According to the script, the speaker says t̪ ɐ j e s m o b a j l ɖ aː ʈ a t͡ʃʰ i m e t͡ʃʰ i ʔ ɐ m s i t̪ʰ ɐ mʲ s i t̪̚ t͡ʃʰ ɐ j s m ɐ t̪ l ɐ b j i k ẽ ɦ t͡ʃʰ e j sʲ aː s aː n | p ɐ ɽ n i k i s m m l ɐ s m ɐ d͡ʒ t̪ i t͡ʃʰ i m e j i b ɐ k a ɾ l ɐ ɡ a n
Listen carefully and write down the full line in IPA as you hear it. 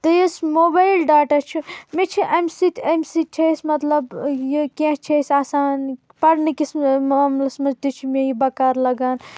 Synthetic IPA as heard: t̪ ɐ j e s m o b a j l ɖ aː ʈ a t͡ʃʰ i m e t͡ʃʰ i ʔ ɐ m s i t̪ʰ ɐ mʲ s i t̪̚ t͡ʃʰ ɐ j s m ɐ t̪ l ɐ b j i k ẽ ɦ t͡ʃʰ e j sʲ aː s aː n | p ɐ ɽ n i k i s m m l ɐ s m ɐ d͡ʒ t̪ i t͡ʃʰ i m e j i b ɐ k a ɾ l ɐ ɡ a n